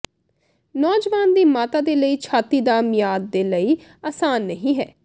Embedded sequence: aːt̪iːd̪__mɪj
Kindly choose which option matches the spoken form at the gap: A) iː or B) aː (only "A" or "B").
B